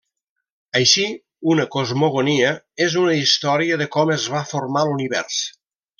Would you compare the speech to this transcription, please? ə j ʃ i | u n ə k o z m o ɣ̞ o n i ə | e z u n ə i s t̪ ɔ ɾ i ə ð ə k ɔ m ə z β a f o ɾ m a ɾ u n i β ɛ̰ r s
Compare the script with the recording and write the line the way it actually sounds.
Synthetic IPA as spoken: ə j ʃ i | u n ə k o z m o ɣ̞ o n i ə | e z u n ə i s t̪ ɔ ɾ i ə ð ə k ɔ m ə z β a f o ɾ m a l u n i β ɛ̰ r s